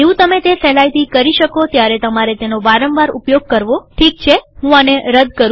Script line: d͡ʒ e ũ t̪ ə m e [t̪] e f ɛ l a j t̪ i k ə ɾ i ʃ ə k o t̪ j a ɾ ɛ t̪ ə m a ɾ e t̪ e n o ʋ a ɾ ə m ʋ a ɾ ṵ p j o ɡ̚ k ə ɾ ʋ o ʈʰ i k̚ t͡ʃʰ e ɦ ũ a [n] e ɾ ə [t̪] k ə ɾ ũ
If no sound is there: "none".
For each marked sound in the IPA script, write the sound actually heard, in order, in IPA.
t̪, n, d̪

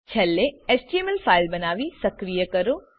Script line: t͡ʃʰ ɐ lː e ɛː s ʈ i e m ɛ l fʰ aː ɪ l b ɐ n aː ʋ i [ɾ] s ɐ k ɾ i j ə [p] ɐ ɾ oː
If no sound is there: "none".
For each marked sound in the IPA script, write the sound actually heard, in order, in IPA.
none, k

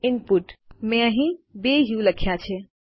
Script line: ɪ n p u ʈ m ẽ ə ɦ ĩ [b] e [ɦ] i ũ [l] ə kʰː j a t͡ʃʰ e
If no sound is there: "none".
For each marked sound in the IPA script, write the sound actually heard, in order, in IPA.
b, ɦ, l

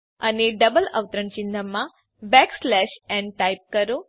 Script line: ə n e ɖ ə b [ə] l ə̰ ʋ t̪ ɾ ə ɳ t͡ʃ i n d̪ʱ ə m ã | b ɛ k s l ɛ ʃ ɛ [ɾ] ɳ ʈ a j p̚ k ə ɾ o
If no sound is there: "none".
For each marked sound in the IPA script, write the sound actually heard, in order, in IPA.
ə, none

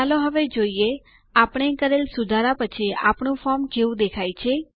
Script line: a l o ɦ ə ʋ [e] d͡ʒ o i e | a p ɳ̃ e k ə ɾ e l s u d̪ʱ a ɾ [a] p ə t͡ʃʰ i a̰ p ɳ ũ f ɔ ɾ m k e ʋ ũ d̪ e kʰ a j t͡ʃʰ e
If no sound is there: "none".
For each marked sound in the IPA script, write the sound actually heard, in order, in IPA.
e, a

